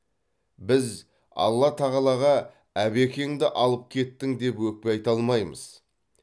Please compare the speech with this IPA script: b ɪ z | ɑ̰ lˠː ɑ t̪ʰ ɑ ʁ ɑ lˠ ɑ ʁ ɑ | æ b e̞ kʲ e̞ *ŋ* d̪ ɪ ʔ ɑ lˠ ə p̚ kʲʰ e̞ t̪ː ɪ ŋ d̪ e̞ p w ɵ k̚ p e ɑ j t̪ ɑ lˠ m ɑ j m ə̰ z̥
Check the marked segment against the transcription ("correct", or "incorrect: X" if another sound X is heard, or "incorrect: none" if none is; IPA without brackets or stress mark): correct